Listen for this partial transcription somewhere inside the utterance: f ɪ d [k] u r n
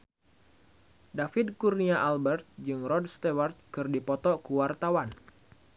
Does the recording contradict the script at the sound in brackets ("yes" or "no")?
no